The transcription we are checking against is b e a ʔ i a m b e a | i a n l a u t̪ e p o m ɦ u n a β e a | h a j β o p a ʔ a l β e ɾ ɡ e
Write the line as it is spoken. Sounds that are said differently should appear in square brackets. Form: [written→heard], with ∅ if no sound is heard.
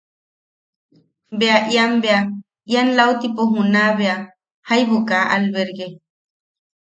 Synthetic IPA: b e a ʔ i a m b e a | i a n l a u t̪ [e→i] p o [m→∅] ɦ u n a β e a | h a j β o [p→k] a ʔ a l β e ɾ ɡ e